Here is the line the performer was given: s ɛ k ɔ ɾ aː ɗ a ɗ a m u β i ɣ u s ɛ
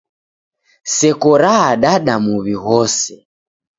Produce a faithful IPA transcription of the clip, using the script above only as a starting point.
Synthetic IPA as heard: s ɛ k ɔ ɾ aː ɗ a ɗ a m u β i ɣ ɔ s ɛ